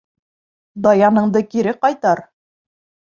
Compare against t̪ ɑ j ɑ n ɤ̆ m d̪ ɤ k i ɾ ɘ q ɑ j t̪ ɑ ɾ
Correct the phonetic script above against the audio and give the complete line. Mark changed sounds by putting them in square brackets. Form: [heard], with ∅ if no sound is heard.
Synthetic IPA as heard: [d̪] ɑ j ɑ n ɤ̆ [ɴ] d̪ ɤ k i ɾ ɘ q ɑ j t̪ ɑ ɾ